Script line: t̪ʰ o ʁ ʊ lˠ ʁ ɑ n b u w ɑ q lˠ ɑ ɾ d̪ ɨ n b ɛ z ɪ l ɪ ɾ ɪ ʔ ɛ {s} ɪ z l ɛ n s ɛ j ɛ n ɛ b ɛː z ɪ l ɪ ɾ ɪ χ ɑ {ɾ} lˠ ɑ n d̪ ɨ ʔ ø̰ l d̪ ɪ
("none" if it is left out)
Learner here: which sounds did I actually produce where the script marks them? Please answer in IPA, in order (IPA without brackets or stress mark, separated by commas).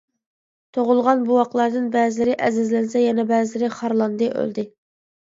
z, ɾ